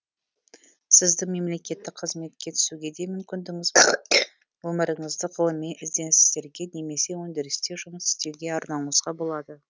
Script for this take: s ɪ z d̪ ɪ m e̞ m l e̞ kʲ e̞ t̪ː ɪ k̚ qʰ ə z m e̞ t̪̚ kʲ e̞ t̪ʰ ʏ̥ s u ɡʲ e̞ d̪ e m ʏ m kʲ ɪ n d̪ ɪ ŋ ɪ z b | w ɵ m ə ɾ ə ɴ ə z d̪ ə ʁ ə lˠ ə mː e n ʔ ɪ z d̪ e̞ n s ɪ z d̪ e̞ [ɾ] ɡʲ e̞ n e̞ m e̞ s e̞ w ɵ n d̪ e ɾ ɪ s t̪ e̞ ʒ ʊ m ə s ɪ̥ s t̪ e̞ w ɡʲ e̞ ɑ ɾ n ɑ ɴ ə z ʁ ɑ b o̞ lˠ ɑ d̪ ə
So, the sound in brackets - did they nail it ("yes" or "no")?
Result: yes